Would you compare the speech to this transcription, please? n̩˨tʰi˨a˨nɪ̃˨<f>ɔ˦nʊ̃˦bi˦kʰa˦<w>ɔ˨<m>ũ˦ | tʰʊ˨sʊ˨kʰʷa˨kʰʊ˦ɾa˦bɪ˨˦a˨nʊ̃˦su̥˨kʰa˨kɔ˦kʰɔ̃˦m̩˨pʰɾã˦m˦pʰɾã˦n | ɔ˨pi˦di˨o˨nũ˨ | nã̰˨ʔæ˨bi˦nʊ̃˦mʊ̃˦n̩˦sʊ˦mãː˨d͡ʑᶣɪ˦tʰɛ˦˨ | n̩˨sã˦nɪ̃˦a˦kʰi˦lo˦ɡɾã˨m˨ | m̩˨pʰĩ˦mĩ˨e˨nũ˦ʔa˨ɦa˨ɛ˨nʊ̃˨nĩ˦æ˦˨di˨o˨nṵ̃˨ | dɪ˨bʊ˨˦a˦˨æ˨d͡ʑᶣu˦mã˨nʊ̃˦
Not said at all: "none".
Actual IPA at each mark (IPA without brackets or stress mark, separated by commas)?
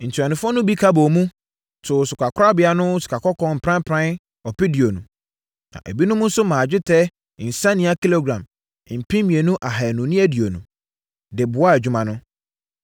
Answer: f, b, m